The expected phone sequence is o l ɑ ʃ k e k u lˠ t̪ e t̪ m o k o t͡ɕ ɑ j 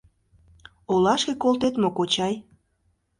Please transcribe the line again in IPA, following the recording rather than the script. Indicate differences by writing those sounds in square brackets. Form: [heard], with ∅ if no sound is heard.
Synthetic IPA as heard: o l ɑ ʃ k e k [o] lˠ t̪ e t̪ m o k o t͡ɕ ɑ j